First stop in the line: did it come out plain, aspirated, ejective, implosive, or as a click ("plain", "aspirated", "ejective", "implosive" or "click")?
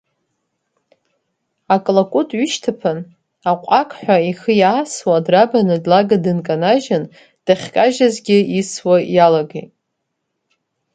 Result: ejective